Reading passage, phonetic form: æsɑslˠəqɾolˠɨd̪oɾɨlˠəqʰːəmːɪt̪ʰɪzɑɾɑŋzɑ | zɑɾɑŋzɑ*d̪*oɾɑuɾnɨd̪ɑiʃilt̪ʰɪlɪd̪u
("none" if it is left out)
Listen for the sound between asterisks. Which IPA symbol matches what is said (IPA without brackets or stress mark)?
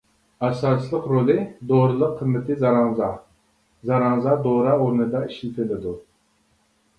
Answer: d̪